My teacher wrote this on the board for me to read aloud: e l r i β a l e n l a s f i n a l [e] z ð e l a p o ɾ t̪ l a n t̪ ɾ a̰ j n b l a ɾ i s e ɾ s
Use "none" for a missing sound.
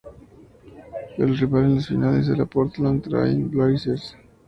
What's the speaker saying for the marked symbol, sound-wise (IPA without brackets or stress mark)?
e